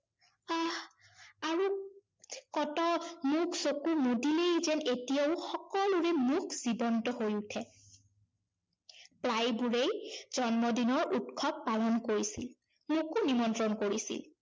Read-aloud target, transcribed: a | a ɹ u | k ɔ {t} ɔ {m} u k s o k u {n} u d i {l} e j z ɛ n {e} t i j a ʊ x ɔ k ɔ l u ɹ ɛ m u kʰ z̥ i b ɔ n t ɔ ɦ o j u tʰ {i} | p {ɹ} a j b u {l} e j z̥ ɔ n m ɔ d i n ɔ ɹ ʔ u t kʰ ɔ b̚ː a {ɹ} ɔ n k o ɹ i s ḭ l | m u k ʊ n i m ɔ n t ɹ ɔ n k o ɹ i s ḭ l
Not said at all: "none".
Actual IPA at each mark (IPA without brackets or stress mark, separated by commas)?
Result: t, m, m, l, e, ɛ, l, ɹ, l